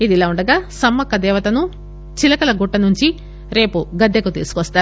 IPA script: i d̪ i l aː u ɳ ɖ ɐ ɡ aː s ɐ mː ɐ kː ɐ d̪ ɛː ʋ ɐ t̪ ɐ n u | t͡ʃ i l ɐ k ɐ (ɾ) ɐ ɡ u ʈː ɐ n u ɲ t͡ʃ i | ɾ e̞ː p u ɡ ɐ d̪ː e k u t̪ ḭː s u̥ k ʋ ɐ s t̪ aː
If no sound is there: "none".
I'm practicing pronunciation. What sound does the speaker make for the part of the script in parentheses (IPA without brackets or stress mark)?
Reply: l